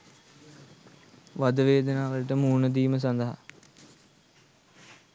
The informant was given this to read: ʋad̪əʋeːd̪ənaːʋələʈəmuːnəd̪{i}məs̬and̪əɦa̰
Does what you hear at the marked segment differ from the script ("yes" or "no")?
yes